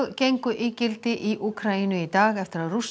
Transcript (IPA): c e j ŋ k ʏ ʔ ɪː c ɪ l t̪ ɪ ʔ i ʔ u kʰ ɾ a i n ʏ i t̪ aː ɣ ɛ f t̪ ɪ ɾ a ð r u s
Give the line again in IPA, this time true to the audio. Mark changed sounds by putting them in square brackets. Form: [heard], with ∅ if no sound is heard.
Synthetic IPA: c e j ŋ k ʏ ʔ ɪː c ɪ l t̪ ɪ ʔ i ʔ u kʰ ɾ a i n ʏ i t̪ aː ɣ ɛ f t̪ ɪ ɾ a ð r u s

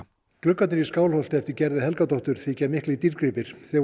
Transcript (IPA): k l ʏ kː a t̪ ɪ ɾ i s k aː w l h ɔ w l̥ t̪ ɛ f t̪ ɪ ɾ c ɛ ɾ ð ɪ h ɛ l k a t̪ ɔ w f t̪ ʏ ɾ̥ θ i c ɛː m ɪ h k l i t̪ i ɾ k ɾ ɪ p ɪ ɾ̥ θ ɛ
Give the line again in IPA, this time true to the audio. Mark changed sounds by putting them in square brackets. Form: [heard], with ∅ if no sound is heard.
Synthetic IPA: k l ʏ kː a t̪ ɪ ɾ i s k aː w l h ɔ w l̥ t̪ ɛ f t̪ ɪ ɾ c ɛ ɾ ð ɪ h ɛ l k a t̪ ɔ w [h] t̪ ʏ ɾ̥ θ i c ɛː m ɪ h k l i t̪ i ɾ k ɾ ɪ p ɪ ɾ̥ θ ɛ

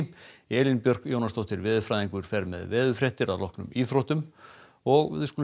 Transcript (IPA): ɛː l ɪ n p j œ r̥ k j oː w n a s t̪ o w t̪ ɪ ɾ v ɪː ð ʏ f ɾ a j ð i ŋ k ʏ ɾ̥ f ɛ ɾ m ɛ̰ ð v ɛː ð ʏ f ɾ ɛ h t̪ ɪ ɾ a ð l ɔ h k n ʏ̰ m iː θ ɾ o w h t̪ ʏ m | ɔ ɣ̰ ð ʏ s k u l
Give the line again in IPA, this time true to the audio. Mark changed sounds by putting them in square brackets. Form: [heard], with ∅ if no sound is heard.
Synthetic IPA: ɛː l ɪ n p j œ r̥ k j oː w n a s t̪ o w t̪ ɪ ɾ v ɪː ð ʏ f ɾ a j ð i ŋ k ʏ ɾ̥ f ɛ ɾ m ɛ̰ ð v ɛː ð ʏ f ɾ ɛ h t̪ ɪ ɾ a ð l ɔ h k n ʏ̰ m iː θ ɾ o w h t̪ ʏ m | ɔ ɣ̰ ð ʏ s k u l

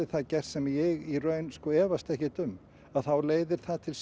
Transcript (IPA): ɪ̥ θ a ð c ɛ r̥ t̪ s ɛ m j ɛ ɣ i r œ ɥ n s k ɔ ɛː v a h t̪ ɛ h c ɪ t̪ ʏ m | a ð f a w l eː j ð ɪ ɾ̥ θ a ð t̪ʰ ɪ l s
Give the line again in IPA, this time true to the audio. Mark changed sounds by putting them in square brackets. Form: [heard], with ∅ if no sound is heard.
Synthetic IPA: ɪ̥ θ a ð c ɛ r̥ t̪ s ɛ m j ɛ ɣ i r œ ɥ n s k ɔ ɛː v a [s] t̪ ɛ h c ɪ t̪ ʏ m | a ð [θ] a w l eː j ð ɪ ɾ̥ θ a ð t̪ʰ ɪ l s

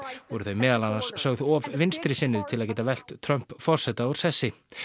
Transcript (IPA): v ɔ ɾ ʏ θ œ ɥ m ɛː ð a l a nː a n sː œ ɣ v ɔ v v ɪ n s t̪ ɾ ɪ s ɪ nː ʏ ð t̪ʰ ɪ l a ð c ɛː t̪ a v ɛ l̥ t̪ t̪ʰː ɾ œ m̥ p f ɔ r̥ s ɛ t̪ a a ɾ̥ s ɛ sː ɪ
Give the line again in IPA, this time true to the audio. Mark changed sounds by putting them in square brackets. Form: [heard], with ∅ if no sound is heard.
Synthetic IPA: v ɔ ɾ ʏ θ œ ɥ m ɛː ð a l a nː a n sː œ ɣ [ð] ɔ v v ɪ n s t̪ ɾ ɪ s ɪ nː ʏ ð t̪ʰ ɪ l a ð c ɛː t̪ a v ɛ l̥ t̪ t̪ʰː ɾ œ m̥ p f ɔ r̥ s ɛ t̪ a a ɾ̥ s ɛ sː ɪ

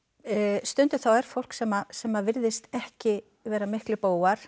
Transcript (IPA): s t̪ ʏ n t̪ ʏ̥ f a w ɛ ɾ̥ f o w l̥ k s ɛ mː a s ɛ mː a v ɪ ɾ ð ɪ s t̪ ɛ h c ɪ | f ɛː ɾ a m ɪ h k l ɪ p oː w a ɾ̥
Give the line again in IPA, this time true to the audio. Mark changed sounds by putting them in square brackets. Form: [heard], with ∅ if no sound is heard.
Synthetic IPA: s t̪ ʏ n t̪ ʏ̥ [θ] a w ɛ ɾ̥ f o w l̥ k s ɛ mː a s ɛ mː a v ɪ ɾ ð ɪ s t̪ ɛ h c ɪ | [v] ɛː ɾ a m ɪ h k l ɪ p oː w a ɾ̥

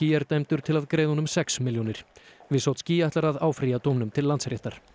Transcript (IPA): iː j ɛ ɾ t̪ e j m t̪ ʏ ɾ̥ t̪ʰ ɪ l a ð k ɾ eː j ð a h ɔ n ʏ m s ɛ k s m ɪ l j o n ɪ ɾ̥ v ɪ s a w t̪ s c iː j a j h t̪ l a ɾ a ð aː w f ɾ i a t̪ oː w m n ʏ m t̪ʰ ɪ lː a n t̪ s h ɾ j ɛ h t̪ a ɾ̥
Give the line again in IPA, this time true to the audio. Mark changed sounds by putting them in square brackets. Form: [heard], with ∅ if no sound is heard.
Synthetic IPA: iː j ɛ ɾ t̪ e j m t̪ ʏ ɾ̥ t̪ʰ ɪ l a ð k ɾ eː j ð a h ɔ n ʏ m s ɛ k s m ɪ l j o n ɪ ɾ̥ v ɪ s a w t̪ s c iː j a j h t̪ l a ɾ a ð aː w f ɾ i a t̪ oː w m n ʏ m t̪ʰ ɪ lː a n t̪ s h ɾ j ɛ h t̪ a ɾ̥

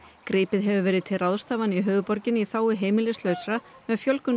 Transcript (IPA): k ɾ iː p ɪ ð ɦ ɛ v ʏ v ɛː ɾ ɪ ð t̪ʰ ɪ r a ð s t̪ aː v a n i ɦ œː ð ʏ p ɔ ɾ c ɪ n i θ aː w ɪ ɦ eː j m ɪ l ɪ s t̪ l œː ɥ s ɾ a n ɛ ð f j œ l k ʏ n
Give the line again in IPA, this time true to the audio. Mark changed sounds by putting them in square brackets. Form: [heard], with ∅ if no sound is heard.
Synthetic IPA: k ɾ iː p ɪ ð ɦ ɛ v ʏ v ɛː ɾ ɪ ð t̪ʰ ɪ r a ð s t̪ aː v a n i ɦ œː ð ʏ p ɔ ɾ c ɪ n i θ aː w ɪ ɦ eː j m ɪ l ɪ s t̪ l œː ɥ s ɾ a [m] ɛ ð f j œ l k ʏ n

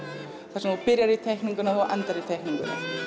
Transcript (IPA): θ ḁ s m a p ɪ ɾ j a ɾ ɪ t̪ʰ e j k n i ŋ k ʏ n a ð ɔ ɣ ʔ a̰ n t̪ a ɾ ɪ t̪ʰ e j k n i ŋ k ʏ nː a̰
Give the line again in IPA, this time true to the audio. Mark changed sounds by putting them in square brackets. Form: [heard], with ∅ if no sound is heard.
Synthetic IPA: θ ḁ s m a p ɪ ɾ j a ɾ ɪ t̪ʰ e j k n i ŋ k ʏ n a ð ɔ ɣ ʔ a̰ n t̪ a ɾ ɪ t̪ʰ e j k n i ŋ k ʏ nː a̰

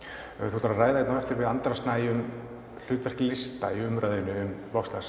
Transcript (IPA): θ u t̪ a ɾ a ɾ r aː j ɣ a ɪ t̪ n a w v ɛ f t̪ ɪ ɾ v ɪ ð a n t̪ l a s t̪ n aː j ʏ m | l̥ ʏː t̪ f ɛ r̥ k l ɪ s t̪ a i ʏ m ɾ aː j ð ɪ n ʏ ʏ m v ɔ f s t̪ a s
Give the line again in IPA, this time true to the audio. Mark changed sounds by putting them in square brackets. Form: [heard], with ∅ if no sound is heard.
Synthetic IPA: θ u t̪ a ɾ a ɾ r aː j [ð] a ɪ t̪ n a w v ɛ f t̪ ɪ ɾ v ɪ ð a n t̪ [ɾ] a s t̪ n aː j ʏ m | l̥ ʏː t̪ [v] ɛ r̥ k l ɪ s t̪ a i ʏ m ɾ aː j ð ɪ n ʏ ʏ m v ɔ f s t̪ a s

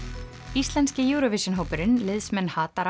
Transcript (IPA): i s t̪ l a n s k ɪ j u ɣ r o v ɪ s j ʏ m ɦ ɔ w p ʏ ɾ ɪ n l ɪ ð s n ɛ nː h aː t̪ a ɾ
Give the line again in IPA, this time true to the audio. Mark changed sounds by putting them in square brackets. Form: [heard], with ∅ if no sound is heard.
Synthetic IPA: i s t̪ l [ɛ] n s [c] ɪ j u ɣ [ɾ] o v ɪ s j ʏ [n] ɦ [o] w p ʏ ɾ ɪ n l ɪ ð s [m] ɛ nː h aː t̪ a ɾ

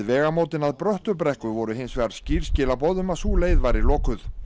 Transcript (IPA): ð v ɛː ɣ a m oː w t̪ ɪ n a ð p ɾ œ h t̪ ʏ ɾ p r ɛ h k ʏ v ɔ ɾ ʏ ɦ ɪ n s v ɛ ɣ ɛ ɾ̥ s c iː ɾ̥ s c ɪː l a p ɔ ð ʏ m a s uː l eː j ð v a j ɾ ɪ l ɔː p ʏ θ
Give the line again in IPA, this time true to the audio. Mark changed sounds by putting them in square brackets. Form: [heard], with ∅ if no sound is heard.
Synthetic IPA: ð v ɛː ɣ a m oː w t̪ ɪ n a ð p ɾ œ h t̪ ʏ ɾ p [ɾ] ɛ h k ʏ v ɔ ɾ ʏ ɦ ɪ n s v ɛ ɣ [a] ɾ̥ s c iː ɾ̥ s c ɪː l a p ɔ ð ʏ m a s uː l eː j ð v a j ɾ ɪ l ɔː [k] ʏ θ

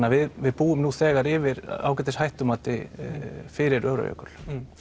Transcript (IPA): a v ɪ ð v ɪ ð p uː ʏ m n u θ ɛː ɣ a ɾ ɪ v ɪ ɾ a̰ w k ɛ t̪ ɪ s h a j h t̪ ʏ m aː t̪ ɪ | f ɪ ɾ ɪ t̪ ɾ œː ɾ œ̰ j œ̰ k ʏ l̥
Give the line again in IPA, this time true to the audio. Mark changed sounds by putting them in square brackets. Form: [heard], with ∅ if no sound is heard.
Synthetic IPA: a v ɪ ð v ɪ ð p uː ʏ m n u θ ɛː ɣ a ɾ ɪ v ɪ ɾ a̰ w k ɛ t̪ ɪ s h a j h t̪ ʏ m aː t̪ ɪ | f ɪ ɾ ɪ [∅] ɾ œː ɾ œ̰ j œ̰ k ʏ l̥

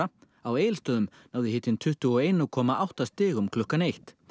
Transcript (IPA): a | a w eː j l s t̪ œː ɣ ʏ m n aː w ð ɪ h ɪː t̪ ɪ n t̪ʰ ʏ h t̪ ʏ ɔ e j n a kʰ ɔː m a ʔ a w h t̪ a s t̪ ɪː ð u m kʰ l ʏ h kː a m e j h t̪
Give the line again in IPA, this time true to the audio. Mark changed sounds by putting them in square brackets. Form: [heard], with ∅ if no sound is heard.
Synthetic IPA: a | a w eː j l s t̪ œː [ð] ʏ m n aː w ð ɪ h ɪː t̪ ɪ n t̪ʰ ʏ h t̪ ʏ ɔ e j n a kʰ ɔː m a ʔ a w h t̪ a s t̪ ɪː [ɣ] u m kʰ l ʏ h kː a [n] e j h t̪

